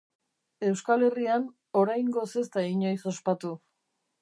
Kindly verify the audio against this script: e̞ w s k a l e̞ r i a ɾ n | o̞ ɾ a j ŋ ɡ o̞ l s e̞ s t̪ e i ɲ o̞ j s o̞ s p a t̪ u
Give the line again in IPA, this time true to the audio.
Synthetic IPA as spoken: e̞ w s k a l e̞ r i a n | o̞ ɾ a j ŋ ɡ o̞ s e̞ s t̪ a i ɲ o̞ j s o̞ s p a t̪ u